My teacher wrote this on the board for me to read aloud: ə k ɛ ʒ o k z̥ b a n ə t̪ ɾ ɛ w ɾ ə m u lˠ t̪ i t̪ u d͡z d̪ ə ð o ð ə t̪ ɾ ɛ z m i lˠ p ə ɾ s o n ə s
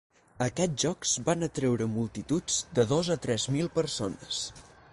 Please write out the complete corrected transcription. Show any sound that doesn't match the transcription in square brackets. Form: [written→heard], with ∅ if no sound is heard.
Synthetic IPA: ə k ɛ ʒ [o→ɔ] k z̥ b a n ə t̪ ɾ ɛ w ɾ ə m u lˠ t̪ i t̪ u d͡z d̪ ə ð o [ð→z] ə t̪ ɾ ɛ z m i lˠ p ə ɾ s o n ə s